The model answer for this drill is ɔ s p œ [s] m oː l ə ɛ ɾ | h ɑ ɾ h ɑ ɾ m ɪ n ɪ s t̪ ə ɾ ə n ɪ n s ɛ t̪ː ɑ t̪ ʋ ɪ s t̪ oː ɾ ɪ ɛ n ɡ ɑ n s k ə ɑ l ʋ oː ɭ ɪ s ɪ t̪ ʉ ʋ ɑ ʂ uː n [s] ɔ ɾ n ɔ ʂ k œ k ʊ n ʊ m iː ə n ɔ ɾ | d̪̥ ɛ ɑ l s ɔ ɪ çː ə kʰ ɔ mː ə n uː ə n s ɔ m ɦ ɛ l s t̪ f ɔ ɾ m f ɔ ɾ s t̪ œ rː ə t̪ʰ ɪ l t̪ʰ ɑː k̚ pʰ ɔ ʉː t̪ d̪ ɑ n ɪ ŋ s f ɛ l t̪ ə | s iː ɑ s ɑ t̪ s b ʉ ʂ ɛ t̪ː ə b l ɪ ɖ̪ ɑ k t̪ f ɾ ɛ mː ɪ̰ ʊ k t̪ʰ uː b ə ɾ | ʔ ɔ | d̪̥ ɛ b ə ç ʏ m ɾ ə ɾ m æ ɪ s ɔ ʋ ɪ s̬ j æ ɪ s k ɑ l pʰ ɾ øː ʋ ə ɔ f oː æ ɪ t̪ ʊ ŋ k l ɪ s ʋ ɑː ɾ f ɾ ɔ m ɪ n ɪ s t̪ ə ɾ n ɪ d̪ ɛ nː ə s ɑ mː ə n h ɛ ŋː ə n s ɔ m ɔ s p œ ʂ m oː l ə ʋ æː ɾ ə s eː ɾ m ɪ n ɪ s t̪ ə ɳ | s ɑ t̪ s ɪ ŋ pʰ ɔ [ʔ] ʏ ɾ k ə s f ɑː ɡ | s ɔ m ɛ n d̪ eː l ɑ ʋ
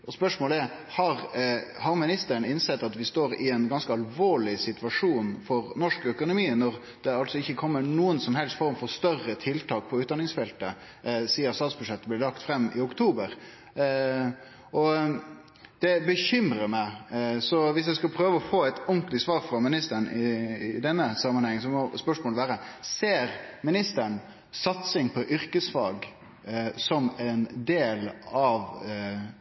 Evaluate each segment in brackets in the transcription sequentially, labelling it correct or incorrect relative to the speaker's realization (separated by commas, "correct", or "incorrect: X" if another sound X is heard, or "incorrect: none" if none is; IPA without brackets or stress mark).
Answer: incorrect: ʂ, incorrect: f, correct